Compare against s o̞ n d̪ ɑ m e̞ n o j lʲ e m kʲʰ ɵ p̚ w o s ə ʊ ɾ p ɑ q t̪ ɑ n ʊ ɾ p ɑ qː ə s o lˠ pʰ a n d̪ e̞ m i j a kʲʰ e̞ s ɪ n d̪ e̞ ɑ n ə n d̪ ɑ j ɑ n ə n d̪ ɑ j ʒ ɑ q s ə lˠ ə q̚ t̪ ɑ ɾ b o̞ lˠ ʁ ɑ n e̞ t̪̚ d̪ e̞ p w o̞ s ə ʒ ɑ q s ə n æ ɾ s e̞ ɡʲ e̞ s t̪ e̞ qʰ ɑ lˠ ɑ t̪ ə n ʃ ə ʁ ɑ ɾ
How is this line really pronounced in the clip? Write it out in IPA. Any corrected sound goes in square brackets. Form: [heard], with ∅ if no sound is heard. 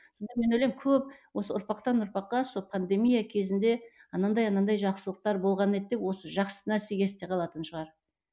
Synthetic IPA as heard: s o̞ n d̪ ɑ m e̞ n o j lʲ e m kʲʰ ɵ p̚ w o s ə ʊ ɾ p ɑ q t̪ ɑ n ʊ ɾ p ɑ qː [ɑ] s o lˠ pʰ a n d̪ e̞ m i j a kʲʰ e̞ [z] ɪ n d̪ e̞ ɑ n [ɑ] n d̪ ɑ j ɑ n [ɑ] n d̪ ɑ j ʒ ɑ q s ə lˠ ə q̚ t̪ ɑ ɾ b o̞ lˠ ʁ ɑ n e̞ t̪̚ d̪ e̞ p w o̞ s ə ʒ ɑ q s ə n æ ɾ s e̞ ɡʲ e̞ s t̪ e̞ qʰ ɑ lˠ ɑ t̪ ə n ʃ ə ʁ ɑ ɾ

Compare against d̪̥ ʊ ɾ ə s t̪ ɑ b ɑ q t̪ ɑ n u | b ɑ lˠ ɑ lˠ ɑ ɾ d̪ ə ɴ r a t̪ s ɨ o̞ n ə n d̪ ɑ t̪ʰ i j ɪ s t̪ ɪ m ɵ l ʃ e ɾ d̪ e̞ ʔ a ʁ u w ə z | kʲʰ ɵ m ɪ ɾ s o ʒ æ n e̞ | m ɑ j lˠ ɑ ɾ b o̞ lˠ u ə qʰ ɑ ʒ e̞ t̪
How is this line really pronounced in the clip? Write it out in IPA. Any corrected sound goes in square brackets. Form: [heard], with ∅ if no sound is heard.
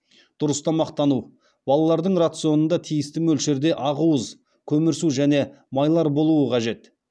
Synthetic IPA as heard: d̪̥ ʊ ɾ ə s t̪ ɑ [m] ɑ q t̪ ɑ n u | b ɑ lˠ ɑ lˠ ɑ ɾ d̪ ə ɴ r a t̪ s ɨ o̞ n ə n d̪ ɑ t̪ʰ i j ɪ s t̪ ɪ m ɵ l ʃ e ɾ d̪ e̞ ʔ [ɑ] ʁ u w ə z | kʲʰ ɵ m ɪ ɾ s [u] ʒ æ n e̞ | m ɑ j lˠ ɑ ɾ b o̞ lˠ u ə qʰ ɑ ʒ e̞ t̪

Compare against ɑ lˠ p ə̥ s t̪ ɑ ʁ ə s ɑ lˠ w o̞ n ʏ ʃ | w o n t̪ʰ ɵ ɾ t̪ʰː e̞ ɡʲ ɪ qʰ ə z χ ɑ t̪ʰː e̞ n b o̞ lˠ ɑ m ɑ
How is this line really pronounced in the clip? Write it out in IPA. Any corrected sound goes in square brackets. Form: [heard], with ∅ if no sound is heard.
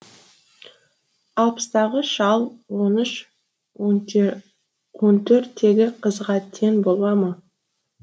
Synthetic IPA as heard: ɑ lˠ p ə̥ s t̪ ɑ ʁ ə [ʃ] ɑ lˠ w o̞ n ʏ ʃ | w o n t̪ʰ ɵ ɾ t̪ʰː e̞ ɡʲ ɪ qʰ ə z [ʁ] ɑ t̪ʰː e̞ n b o̞ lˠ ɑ m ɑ

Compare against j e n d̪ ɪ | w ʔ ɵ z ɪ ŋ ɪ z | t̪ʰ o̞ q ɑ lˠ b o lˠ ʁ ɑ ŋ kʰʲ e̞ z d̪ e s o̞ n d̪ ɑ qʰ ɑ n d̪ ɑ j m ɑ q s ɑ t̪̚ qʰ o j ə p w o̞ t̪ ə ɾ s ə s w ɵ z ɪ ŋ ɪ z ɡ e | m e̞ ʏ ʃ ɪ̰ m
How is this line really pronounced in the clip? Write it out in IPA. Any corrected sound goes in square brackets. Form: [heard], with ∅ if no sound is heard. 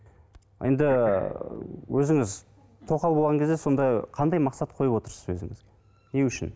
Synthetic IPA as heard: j e n d̪ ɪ | w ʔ ɵ z ɪ ŋ ɪ z | t̪ʰ o̞ q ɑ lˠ b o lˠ ʁ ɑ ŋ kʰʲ e̞ z d̪ e s o̞ n d̪ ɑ qʰ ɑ n d̪ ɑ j m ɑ q s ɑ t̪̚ qʰ o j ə p w o̞ t̪ ə ɾ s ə [z] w ɵ z ɪ ŋ ɪ z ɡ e | [n] e̞ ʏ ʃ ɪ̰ [n]

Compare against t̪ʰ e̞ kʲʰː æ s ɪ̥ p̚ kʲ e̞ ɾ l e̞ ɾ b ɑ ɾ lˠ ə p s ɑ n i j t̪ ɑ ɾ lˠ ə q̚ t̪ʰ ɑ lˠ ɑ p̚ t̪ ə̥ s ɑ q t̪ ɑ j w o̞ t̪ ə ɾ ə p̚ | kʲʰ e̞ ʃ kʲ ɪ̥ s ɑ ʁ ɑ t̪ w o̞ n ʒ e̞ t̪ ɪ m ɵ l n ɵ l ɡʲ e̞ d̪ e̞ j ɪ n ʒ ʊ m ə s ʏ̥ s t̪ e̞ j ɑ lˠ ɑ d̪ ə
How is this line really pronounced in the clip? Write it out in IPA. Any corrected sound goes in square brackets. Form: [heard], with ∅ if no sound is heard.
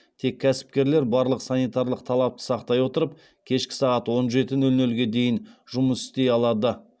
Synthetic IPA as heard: t̪ʰ e̞ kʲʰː æ s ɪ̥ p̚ kʲ e̞ ɾ l e̞ ɾ b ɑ ɾ lˠ ə [q] s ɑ n i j t̪ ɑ ɾ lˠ ə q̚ t̪ʰ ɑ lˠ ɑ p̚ t̪ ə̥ s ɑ q t̪ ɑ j w o̞ t̪ ə ɾ ə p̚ | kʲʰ e̞ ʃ kʲ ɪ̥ s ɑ ʁ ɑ t̪ w o̞ n ʒ e̞ t̪ ɪ [n] ɵ l n ɵ l ɡʲ e̞ d̪ e̞ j ɪ n ʒ ʊ m ə s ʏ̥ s t̪ e̞ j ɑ lˠ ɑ d̪ ə

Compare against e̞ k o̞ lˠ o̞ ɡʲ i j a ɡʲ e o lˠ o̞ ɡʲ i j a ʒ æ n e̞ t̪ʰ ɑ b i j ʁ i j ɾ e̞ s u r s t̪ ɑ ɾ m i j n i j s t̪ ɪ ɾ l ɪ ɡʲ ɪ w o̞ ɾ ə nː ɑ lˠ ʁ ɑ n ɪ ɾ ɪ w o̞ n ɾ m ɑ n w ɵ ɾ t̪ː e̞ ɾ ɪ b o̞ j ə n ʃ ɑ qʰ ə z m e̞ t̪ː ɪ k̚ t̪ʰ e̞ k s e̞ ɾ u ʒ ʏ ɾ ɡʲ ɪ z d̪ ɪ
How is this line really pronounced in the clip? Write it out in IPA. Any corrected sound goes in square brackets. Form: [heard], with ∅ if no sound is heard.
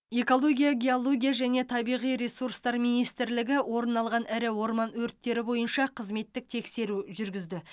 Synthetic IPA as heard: e̞ k o̞ lˠ o̞ ɡʲ i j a ɡʲ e o lˠ o̞ ɡʲ i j a ʒ æ n e̞ t̪ʰ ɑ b i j ʁ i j ɾ e̞ s u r s t̪ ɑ ɾ m i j n i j s t̪ ɪ ɾ l ɪ ɡʲ ɪ w o̞ ɾ ə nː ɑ lˠ ʁ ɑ n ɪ ɾ ɪ w o̞ [∅] ɾ m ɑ n w ɵ ɾ t̪ː e̞ ɾ ɪ b o̞ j ə n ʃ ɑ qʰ ə z m e̞ t̪ː ɪ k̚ t̪ʰ e̞ k s e̞ ɾ u ʒ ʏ ɾ ɡʲ ɪ z d̪ ɪ

